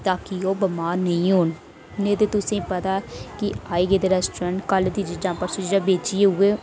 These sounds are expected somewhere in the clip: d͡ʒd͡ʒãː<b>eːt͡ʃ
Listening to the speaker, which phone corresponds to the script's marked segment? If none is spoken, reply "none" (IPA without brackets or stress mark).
b